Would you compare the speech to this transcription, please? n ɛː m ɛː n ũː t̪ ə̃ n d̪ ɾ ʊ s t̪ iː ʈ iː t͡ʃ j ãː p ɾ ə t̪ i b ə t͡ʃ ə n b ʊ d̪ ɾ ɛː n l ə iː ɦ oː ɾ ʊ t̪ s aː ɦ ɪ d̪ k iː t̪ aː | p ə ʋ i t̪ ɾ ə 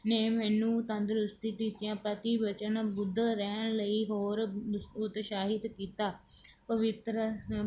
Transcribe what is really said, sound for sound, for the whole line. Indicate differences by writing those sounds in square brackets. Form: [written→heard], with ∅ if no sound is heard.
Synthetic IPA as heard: n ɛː m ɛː n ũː t̪ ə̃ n d̪ ɾ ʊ s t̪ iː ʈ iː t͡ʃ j ãː p ɾ ə t̪ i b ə t͡ʃ ə n b ʊ d̪ ɾ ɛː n l ə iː ɦ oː ɾ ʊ t̪ [s→ʃ] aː ɦ ɪ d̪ k iː t̪ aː | p ə ʋ [i→ɪ] t̪ ɾ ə